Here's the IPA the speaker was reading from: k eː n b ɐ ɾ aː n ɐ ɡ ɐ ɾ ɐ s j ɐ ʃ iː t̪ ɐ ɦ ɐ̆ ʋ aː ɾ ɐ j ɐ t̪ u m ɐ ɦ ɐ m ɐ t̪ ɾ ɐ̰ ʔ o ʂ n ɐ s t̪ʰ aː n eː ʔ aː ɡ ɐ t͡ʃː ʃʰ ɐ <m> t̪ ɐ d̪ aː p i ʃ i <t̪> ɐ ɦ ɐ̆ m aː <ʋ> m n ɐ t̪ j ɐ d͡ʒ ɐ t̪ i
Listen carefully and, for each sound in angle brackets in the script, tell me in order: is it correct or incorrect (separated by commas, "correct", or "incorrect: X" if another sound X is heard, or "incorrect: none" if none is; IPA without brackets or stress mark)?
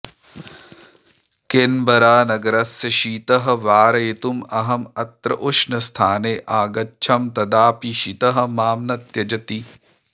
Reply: correct, correct, incorrect: none